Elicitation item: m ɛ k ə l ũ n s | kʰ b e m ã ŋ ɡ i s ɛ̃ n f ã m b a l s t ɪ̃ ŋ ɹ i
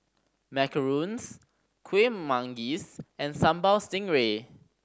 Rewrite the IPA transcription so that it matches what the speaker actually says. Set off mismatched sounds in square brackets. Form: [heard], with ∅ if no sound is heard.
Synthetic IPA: m ɛ k ə [ɹ] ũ n s | kʰ [w] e m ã ŋ ɡ i s ɛ̃ n [s] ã m b a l s t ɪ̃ ŋ ɹ [e]